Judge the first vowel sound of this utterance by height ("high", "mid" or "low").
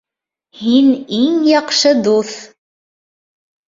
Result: high